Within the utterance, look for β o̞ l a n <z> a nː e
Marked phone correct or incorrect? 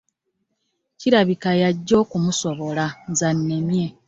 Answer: correct